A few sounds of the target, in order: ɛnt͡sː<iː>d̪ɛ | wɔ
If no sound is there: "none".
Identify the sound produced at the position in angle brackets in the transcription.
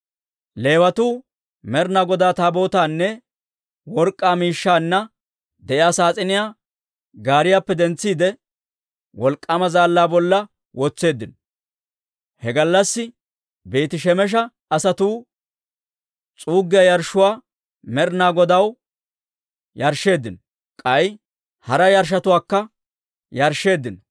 iː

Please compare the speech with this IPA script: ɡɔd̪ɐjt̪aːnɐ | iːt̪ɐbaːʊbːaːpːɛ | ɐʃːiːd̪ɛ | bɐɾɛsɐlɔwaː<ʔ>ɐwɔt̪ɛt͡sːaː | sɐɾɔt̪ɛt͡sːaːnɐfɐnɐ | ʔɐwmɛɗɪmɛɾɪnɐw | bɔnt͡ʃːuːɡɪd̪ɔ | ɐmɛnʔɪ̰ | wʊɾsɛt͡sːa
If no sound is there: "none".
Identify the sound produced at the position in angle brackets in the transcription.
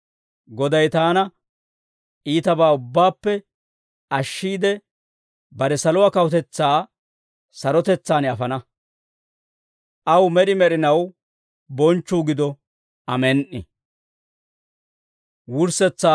k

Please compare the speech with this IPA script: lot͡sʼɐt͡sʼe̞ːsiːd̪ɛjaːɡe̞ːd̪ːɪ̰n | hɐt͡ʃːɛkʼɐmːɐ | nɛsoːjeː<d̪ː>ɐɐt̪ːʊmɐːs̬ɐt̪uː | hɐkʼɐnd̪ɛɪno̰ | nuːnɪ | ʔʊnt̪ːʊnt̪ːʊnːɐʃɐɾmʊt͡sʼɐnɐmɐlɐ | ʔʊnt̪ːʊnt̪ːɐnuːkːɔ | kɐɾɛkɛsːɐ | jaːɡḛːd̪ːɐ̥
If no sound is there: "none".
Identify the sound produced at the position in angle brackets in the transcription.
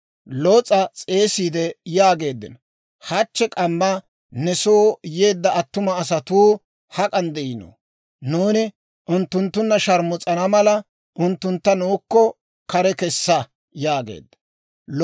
d̪ː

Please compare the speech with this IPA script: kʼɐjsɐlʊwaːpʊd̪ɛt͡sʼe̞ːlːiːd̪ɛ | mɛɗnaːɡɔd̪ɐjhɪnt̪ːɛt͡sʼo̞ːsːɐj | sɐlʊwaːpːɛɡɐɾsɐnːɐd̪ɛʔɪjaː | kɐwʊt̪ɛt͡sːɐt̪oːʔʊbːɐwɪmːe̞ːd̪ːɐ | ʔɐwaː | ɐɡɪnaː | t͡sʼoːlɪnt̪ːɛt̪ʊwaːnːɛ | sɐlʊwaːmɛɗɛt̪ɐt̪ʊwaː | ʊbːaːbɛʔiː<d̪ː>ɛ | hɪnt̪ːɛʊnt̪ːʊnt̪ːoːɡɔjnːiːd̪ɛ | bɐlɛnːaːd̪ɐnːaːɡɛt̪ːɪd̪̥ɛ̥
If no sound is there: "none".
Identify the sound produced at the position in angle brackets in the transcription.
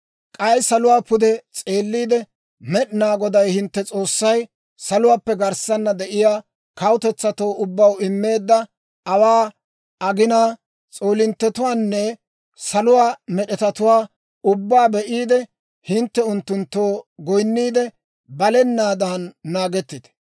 d̪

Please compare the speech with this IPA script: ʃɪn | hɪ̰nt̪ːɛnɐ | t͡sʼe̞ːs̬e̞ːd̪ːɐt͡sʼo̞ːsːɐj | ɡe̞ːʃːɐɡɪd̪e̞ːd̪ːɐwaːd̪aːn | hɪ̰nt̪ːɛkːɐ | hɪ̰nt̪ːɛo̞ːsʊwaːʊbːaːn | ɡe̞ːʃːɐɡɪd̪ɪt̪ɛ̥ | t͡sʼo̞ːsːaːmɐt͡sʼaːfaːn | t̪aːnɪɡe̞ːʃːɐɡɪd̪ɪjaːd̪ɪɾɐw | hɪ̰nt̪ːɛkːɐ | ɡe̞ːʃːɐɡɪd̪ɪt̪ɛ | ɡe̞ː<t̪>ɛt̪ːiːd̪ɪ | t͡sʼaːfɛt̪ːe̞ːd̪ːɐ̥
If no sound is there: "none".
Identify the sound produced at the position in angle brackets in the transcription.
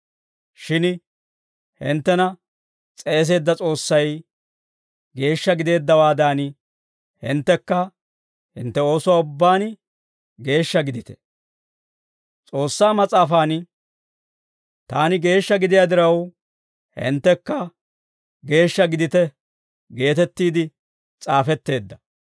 t̪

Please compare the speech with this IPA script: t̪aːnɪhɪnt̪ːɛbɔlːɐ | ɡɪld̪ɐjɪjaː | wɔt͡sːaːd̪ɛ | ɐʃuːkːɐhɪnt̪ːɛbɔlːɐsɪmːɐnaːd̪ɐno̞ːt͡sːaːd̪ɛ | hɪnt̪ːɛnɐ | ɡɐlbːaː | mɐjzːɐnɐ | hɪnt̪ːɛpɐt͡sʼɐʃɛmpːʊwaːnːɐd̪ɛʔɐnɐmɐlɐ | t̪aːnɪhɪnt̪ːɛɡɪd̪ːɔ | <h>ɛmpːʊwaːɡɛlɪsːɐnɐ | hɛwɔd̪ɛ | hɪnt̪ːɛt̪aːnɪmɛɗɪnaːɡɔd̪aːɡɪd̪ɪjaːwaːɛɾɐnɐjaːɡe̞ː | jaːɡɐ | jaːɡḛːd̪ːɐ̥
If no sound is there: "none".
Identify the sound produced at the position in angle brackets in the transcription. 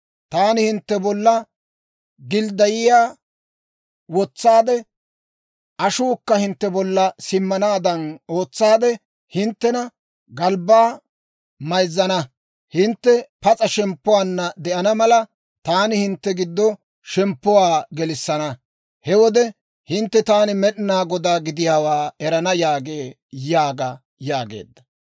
ʃ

